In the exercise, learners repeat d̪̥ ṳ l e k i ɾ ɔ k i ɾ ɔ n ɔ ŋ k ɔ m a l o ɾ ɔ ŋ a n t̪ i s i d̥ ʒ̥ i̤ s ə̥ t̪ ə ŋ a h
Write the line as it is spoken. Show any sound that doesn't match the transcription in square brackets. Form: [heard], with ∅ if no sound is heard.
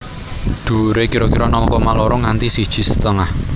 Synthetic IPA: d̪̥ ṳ [ɾ] e k i ɾ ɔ k i ɾ ɔ n ɔ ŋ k ɔ m a l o ɾ ɔ ŋ a n t̪ i s i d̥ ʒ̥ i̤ s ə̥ t̪ ə ŋ a h